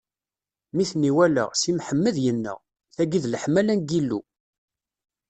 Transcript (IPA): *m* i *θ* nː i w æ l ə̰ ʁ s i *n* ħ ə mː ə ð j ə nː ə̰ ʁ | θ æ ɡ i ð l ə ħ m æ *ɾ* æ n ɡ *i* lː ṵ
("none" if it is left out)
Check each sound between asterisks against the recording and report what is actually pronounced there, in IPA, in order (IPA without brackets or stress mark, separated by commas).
m, θ, m, l, i